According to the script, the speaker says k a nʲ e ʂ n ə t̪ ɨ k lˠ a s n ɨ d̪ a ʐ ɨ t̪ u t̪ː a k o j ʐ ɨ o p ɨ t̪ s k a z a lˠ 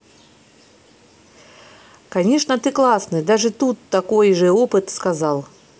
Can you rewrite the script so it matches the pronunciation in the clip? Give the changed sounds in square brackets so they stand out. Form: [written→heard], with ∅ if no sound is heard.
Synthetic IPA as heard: k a nʲ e ʂ n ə t̪ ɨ k lˠ a s n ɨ d̪ a ʐ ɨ t̪ u t̪ː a k o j ʐ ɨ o p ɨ t̪ s k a z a lˠ